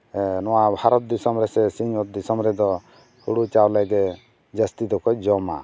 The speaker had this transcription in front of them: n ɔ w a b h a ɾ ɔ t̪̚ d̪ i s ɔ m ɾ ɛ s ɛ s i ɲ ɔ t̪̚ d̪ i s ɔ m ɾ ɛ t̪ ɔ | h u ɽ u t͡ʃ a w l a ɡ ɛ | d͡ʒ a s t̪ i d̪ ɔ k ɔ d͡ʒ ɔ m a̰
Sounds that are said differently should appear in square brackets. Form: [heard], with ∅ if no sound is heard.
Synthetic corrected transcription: n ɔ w a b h a ɾ ɔ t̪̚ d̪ i s ɔ m ɾ ɛ s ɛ s i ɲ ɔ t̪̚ d̪ i s ɔ m ɾ ɛ [d̪] ɔ | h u ɽ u t͡ʃ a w l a ɡ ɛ | d͡ʒ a s t̪ i d̪ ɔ k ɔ d͡ʒ ɔ m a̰